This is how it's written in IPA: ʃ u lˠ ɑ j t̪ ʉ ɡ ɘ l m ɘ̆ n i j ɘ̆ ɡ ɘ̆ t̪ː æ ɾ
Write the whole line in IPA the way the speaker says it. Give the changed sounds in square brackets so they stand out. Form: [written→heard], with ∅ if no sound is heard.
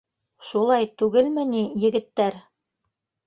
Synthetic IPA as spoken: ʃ u lˠ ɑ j t̪ ʉ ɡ ɘ l m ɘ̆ n i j ɘ̆ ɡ ɘ̆ t̪ː æ ɾ